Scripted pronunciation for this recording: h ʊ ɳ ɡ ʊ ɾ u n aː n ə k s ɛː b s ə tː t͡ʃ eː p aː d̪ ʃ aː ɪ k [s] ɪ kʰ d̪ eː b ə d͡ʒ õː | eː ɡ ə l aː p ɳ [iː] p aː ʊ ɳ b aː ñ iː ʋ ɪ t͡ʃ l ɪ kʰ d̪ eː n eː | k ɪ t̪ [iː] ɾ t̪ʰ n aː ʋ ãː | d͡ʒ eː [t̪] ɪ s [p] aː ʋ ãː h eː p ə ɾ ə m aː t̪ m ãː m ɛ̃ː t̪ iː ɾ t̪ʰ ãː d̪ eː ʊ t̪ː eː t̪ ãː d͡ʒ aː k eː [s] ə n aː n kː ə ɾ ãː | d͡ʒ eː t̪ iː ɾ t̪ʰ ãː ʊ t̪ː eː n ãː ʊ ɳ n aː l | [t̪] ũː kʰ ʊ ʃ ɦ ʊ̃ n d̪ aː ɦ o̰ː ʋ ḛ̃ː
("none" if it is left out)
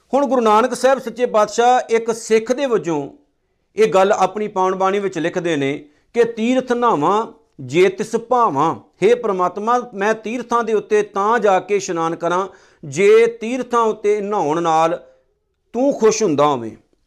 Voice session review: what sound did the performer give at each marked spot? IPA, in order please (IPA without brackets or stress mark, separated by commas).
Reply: s, iː, iː, t̪, p, ʃ, t̪